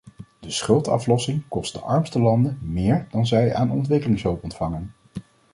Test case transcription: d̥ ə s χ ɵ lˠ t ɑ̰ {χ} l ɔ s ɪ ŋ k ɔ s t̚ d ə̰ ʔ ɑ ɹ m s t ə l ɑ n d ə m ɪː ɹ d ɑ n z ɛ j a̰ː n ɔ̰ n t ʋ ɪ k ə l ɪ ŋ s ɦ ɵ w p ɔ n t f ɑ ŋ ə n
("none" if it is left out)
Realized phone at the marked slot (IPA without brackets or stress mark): f